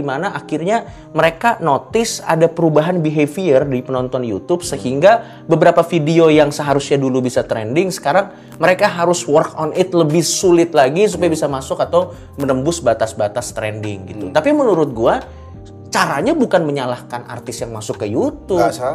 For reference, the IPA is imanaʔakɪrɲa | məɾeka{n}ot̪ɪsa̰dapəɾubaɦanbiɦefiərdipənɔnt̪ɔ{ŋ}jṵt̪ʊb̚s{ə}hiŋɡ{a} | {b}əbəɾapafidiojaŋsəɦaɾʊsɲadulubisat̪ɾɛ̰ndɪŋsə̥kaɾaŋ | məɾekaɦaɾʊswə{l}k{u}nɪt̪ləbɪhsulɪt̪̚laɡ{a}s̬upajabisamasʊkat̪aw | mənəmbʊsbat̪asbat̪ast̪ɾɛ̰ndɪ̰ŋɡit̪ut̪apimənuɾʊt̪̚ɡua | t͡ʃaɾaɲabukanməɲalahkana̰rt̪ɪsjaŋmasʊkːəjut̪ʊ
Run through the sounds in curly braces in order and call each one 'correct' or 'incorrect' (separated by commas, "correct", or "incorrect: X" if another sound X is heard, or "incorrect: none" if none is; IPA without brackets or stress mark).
correct, incorrect: n, correct, correct, correct, incorrect: r, incorrect: ɔ, incorrect: i